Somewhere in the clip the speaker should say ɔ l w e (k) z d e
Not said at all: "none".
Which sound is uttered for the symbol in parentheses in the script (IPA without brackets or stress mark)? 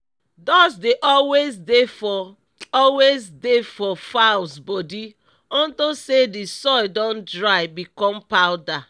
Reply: none